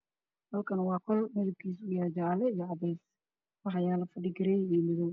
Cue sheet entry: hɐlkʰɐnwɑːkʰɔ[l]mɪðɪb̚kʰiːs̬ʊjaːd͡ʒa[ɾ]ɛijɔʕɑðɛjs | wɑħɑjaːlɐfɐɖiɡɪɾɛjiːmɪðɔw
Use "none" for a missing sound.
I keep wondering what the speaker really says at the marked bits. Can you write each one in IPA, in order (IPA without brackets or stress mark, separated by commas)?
l, l